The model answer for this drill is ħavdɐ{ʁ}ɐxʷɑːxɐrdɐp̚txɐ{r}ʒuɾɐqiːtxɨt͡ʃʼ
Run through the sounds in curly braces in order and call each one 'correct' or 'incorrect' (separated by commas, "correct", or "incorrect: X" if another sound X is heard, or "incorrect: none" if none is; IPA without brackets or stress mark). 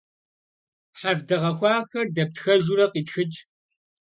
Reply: correct, incorrect: none